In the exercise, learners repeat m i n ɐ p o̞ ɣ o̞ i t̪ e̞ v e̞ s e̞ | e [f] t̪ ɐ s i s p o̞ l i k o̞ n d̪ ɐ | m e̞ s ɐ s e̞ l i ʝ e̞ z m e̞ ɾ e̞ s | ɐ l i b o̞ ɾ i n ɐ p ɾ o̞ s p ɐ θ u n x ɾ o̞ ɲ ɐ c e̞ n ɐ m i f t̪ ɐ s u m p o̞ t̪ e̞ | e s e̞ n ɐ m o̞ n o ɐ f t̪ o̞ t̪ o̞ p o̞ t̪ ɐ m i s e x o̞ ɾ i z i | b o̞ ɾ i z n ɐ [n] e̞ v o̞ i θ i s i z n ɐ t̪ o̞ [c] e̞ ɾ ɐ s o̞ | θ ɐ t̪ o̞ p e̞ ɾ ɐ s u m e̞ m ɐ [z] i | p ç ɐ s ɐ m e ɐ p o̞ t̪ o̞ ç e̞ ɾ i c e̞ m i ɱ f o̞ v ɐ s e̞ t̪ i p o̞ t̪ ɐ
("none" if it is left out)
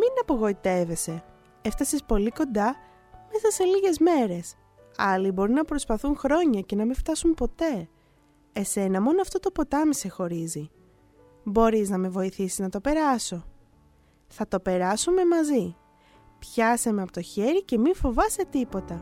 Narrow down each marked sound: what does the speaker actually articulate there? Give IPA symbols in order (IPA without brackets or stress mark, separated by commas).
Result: f, m, p, z